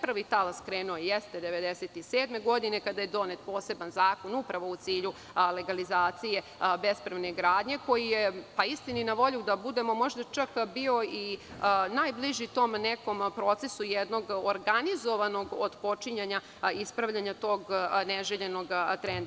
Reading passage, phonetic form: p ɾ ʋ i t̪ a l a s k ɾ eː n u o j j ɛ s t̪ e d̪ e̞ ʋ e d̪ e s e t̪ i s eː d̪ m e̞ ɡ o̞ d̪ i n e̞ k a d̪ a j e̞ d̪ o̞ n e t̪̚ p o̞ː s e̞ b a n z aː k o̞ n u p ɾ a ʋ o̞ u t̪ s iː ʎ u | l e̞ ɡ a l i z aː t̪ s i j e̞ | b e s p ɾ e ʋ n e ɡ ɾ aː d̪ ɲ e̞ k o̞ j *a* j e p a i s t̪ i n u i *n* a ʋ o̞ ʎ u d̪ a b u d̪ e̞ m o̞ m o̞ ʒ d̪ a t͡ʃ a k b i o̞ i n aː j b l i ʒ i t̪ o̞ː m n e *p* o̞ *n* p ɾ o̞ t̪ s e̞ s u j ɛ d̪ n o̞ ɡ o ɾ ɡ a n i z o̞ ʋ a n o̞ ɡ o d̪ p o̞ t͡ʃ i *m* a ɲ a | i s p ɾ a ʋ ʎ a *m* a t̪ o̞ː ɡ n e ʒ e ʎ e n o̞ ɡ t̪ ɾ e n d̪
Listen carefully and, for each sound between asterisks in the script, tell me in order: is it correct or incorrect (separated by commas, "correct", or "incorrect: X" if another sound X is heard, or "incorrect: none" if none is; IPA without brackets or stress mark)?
incorrect: i, correct, incorrect: k, incorrect: m, incorrect: ɲ, incorrect: ɲ